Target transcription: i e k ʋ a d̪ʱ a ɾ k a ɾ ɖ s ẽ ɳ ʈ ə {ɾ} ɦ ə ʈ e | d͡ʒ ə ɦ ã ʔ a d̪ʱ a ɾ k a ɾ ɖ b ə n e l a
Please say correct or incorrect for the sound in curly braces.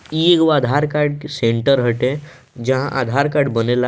correct